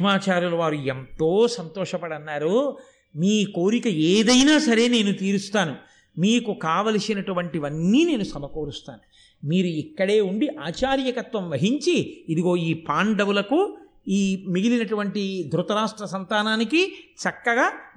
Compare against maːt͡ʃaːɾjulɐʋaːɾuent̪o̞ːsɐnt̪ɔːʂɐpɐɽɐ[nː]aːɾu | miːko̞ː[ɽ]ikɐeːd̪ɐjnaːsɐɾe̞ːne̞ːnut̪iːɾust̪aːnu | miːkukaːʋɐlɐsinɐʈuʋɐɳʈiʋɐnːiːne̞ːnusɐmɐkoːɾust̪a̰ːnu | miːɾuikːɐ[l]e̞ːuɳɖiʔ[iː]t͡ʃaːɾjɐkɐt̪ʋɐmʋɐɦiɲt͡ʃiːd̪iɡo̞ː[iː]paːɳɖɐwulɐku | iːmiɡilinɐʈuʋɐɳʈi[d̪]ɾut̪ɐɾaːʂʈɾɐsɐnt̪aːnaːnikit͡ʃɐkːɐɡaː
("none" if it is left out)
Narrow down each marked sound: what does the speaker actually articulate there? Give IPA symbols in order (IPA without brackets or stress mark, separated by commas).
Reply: nː, ɾ, ɽ, aː, iː, d̪